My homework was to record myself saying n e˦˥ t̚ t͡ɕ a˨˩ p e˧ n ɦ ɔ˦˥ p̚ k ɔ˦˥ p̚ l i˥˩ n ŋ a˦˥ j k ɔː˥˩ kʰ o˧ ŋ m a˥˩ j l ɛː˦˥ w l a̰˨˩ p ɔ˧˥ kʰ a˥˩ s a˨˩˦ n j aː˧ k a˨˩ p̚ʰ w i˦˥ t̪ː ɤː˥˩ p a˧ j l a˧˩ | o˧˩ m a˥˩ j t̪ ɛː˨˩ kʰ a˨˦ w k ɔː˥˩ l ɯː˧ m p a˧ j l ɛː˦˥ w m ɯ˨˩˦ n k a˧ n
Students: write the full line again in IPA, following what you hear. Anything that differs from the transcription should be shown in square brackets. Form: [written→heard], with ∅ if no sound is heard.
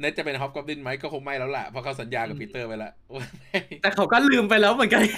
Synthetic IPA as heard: n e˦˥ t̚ t͡ɕ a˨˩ p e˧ n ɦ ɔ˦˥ p̚ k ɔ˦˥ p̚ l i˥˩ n [ŋ→m] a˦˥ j k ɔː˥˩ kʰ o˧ ŋ m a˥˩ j l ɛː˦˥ w l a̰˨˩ [p→pʰ] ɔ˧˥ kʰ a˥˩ s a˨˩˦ n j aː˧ k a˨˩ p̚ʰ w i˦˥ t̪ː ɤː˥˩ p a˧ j l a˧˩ | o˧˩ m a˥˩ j t̪ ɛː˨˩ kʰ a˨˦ w k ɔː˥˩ l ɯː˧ m p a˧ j l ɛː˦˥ w m ɯ˨˩˦ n k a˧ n